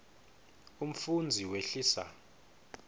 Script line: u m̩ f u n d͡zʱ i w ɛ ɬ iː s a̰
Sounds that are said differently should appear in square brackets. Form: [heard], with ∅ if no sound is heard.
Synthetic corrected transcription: u m̩ f u n d͡zʱ i w [e] ɬ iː s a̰